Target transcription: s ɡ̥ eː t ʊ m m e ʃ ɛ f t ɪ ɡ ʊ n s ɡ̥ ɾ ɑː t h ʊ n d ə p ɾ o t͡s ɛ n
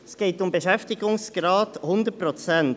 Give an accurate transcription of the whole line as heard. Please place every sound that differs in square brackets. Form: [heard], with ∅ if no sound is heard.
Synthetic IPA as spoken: s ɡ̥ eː t ʊ m [b] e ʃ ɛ f t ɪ ɡ ʊ [ŋ] s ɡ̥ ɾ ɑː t h ʊ n d ə p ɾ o t͡s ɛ n